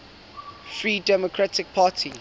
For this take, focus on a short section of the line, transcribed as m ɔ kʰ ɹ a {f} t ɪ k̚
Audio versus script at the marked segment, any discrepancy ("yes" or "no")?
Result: yes